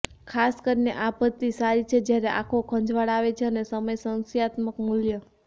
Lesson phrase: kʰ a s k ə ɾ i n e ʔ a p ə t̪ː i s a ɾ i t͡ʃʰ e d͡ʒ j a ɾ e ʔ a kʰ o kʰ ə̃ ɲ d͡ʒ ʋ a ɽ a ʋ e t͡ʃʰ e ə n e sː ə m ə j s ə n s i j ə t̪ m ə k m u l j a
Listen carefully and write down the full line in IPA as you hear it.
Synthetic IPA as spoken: kʰ a s k ə ɾ i n e ʔ a p ə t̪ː i s a ɾ i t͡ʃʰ e d͡ʒ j a ɾ e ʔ a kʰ o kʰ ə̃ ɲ d͡ʒ ʋ a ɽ a ʋ e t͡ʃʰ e ə n e s ə m ə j s ə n s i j a t̪ m ə k m u l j ə